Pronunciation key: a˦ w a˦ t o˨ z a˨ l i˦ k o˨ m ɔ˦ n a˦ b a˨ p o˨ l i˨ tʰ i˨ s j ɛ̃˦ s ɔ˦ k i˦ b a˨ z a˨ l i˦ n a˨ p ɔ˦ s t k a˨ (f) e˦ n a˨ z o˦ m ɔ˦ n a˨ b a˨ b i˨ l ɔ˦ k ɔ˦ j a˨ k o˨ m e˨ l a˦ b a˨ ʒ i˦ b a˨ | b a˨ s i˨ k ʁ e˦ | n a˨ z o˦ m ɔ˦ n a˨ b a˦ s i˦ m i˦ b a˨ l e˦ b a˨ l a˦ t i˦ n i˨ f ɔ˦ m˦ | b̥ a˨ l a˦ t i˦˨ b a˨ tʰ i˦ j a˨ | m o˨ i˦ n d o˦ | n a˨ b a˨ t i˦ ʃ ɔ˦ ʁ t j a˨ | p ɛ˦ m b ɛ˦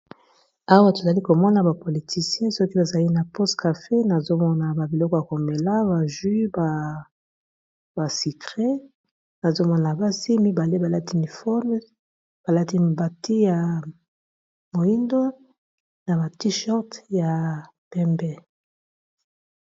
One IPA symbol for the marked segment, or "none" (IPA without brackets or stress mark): f